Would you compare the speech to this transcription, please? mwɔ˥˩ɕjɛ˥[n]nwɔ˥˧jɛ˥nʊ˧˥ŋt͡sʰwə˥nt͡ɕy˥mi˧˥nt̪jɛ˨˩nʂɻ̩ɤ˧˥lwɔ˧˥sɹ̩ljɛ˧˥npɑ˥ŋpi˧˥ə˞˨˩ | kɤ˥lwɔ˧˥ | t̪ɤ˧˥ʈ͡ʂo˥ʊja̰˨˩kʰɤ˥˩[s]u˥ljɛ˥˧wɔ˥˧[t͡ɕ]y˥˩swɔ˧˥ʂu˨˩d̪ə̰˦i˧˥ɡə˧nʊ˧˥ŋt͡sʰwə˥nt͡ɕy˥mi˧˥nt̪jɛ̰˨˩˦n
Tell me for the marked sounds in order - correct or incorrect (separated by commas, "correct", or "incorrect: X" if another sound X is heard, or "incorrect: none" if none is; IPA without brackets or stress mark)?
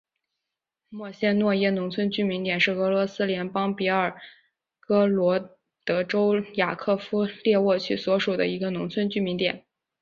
correct, incorrect: f, incorrect: t͡ɕʰ